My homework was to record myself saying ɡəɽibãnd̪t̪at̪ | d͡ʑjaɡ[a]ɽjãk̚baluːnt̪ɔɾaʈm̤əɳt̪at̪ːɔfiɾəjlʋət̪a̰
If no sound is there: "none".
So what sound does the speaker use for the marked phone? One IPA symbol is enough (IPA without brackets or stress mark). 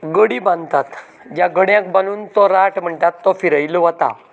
ə